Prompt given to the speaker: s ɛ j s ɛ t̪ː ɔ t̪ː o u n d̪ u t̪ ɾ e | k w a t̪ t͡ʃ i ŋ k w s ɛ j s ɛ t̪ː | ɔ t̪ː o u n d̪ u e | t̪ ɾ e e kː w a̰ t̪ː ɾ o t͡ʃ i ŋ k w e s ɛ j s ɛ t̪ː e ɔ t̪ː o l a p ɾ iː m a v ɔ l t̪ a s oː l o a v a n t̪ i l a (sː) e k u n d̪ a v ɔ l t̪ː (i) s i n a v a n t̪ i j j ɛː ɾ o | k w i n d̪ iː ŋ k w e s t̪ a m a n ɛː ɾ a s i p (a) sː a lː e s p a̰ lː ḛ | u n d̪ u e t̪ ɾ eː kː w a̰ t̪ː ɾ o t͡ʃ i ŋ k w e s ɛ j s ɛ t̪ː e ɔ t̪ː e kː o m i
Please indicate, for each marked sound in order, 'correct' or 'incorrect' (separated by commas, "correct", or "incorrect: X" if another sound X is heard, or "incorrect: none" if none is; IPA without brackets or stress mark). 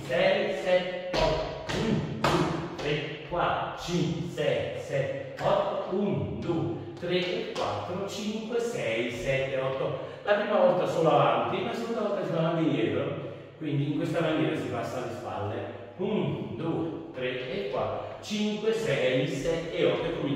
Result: incorrect: s, incorrect: a, correct